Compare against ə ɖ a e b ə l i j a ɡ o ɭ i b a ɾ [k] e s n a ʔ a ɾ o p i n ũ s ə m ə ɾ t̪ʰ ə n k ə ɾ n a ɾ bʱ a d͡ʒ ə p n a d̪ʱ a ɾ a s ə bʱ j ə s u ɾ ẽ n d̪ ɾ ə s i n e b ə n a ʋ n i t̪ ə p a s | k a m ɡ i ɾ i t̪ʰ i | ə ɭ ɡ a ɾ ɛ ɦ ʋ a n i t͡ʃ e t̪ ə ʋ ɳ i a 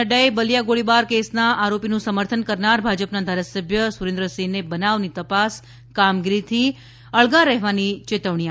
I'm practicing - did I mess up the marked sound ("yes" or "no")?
no